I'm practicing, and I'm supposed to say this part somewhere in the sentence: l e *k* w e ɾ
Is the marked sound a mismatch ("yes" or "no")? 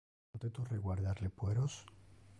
yes